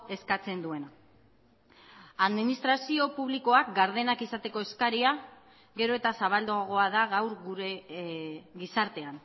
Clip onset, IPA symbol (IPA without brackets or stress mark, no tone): e̞